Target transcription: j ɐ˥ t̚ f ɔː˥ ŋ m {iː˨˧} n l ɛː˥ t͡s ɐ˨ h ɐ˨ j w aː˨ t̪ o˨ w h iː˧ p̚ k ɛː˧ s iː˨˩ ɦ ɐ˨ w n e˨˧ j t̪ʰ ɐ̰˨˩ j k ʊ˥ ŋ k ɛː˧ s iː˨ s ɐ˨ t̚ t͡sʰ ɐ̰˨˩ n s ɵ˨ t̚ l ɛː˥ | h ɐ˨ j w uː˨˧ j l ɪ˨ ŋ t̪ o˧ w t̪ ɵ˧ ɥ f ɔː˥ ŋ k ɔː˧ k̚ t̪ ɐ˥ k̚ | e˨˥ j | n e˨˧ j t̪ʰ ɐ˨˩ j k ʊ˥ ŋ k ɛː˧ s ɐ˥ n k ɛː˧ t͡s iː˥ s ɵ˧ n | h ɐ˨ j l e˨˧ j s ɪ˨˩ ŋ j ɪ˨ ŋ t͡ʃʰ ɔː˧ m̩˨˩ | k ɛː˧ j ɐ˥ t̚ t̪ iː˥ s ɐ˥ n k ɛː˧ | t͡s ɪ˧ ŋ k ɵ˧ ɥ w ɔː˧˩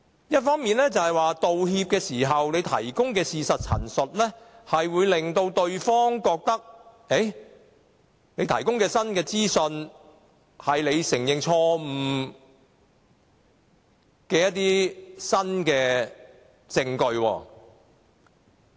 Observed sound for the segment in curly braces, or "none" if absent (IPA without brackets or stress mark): iː˨˧